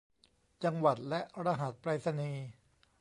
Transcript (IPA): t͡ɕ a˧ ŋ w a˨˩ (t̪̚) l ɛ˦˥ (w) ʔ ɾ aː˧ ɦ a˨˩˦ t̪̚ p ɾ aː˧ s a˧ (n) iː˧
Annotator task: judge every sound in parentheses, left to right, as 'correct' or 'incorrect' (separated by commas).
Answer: correct, incorrect, correct